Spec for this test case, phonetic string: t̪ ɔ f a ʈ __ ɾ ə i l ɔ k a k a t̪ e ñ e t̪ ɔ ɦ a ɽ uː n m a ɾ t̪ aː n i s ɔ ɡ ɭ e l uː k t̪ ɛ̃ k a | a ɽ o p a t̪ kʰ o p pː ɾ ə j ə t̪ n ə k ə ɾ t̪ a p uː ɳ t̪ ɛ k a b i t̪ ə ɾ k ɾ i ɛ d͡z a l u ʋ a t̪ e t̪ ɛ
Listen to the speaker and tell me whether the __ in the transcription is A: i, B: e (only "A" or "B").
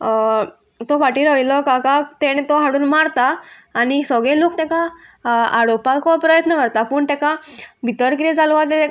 A